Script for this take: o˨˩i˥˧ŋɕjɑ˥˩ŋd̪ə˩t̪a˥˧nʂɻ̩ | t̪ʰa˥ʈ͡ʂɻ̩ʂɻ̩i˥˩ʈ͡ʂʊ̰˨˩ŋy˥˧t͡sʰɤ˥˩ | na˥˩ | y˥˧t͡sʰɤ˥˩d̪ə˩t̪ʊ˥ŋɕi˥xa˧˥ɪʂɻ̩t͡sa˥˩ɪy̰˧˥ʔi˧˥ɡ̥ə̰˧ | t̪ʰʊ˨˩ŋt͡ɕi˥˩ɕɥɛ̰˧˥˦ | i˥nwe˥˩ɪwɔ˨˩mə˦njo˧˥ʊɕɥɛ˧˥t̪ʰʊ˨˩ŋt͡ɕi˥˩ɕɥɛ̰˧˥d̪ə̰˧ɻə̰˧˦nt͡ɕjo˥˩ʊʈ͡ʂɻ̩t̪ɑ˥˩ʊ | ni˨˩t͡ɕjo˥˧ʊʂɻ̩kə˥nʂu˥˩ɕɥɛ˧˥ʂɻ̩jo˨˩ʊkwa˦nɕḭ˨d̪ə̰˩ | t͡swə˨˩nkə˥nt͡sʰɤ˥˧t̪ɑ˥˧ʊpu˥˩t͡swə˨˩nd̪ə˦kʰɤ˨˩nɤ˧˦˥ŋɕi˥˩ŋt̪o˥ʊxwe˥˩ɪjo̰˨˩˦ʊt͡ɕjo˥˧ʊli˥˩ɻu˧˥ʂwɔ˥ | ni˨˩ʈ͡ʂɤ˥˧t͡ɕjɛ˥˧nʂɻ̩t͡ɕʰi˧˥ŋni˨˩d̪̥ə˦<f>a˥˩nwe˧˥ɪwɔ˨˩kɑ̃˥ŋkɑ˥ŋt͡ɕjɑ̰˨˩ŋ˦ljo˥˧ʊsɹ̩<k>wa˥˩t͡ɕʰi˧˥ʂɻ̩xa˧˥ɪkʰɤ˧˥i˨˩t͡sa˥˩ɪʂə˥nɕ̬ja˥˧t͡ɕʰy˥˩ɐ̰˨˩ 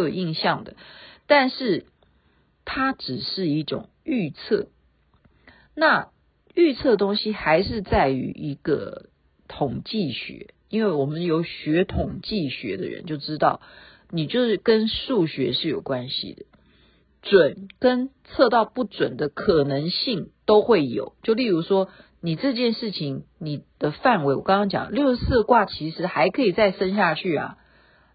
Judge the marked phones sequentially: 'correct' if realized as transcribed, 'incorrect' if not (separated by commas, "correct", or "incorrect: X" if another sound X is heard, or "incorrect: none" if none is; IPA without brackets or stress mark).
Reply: correct, correct